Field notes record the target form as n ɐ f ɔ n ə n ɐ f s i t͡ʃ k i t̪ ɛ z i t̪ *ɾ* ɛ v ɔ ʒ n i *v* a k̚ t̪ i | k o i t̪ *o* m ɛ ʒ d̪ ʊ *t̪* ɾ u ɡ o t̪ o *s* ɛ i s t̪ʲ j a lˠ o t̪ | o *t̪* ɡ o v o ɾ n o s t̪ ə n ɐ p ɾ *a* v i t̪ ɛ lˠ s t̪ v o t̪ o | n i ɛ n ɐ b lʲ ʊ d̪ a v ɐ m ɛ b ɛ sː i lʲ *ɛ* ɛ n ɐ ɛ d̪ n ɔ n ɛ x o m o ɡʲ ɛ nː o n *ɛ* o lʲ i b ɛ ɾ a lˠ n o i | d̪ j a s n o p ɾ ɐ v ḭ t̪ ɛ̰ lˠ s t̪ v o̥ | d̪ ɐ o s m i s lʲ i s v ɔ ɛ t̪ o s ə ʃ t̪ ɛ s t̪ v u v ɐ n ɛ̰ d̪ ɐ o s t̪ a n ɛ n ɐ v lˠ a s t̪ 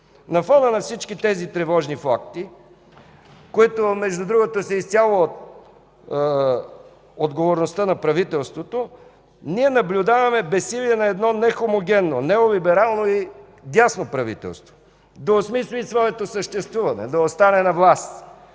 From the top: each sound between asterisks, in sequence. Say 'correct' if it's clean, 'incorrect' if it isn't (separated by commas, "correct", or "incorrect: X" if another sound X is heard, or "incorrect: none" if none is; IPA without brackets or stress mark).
correct, incorrect: f, correct, incorrect: d̪, correct, incorrect: d̪, incorrect: ɐ, incorrect: i, correct